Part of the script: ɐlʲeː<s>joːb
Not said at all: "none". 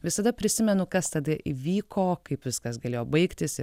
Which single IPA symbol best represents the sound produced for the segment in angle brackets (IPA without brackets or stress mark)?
none